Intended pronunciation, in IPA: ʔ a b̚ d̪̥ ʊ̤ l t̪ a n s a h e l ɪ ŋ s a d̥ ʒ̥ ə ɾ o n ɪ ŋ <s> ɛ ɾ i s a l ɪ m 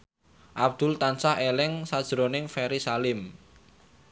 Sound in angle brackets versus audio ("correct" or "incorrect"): incorrect